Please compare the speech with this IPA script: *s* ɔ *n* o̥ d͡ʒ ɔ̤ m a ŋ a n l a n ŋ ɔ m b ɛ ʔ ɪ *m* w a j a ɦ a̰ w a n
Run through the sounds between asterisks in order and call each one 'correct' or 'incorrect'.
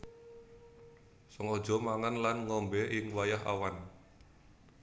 correct, incorrect: ŋ, incorrect: ŋ

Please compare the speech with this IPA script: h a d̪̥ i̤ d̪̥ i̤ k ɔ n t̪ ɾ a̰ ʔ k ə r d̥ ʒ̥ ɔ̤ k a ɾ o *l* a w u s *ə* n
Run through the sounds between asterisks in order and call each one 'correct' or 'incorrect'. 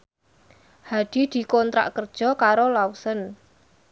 correct, correct

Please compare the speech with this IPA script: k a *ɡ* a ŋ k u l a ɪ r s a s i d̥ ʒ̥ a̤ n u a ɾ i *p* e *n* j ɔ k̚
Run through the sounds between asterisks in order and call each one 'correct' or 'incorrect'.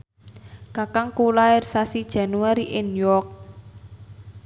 incorrect: k, incorrect: ʔ, correct

